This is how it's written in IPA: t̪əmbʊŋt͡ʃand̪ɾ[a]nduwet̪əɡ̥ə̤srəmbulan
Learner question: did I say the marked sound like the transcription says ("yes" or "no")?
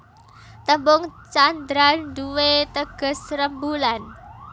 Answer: yes